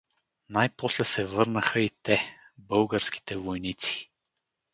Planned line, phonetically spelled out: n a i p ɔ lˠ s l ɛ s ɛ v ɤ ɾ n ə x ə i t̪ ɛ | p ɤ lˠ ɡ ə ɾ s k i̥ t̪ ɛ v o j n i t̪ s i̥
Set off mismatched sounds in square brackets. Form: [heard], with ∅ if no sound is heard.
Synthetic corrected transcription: n a [j] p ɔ [∅] s l ɛ s ɛ v ɤ ɾ n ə x ə i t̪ ɛ | [b] ɤ lˠ ɡ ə ɾ s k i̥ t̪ ɛ v o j n i t̪ s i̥